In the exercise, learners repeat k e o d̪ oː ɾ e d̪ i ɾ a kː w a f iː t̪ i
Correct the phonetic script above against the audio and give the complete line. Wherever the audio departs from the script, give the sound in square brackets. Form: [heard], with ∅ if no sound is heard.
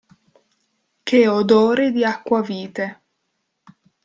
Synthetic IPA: k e o d̪ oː ɾ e d̪ i [∅] a kː w a [v] iː t̪ [e]